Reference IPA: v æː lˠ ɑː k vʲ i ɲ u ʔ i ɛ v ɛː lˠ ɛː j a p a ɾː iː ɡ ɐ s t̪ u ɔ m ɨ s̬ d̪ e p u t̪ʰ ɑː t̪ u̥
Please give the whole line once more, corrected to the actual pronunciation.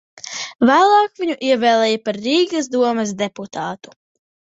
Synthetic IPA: v æː lˠ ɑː k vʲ i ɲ u ʔ i ɛ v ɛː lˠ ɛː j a p a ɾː iː ɡ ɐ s d̪ u ɔ m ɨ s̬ d̪ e p u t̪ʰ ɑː t̪ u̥